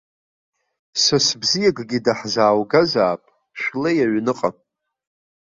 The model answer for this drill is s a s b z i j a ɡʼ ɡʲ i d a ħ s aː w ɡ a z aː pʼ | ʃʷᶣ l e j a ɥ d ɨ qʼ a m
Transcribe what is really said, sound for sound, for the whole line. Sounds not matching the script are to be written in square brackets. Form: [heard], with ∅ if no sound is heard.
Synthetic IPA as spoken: s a s b z i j a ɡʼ ɡʲ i d a ħ [z] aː w ɡ a z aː pʼ | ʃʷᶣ l e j a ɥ [n] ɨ qʼ a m